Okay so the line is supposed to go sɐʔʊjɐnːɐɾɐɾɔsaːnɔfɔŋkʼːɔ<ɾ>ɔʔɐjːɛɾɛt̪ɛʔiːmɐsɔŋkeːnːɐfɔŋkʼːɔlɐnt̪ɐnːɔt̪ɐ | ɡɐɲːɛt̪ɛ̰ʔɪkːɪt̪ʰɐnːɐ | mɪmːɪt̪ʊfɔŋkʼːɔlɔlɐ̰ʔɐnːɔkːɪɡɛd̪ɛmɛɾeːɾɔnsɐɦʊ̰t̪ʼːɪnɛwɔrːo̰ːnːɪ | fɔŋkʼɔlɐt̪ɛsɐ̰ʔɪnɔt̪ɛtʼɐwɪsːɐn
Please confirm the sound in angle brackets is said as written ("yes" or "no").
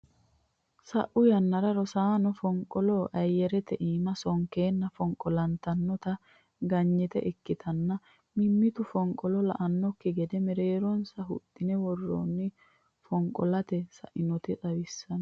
no